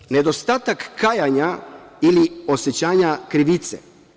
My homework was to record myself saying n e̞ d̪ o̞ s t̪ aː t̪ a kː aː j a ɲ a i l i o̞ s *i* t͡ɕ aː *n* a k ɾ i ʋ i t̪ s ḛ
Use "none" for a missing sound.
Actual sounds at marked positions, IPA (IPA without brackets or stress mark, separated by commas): e, ɲ